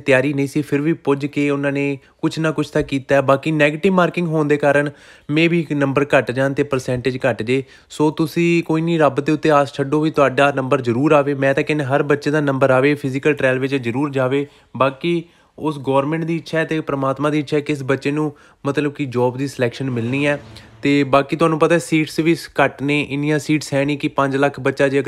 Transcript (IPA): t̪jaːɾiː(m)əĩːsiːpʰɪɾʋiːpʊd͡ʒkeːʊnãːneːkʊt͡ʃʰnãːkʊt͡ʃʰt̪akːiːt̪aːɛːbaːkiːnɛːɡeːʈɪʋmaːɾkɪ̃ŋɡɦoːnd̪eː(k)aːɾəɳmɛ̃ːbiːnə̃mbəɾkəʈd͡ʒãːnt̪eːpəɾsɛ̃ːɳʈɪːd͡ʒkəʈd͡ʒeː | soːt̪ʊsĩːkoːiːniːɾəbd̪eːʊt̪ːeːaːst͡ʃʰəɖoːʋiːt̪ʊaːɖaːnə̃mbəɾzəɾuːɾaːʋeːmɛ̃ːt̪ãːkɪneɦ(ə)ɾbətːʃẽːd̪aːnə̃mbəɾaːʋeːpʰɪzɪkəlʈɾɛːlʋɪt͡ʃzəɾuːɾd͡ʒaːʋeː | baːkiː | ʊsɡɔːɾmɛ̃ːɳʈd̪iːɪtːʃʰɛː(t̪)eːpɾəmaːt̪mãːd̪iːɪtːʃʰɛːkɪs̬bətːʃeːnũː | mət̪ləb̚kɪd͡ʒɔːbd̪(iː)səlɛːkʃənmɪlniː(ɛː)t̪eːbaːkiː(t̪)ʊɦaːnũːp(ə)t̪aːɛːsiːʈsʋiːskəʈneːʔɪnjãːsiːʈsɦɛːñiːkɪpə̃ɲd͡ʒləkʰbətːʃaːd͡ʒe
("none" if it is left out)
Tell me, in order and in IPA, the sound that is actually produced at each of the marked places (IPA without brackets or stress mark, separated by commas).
n, k, ə, t̪, iː, ɛː, t̪, ə